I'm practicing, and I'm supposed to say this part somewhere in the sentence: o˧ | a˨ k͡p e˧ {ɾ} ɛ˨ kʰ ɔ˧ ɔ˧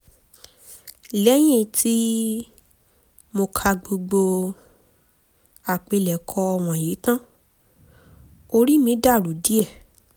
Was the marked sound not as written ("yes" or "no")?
yes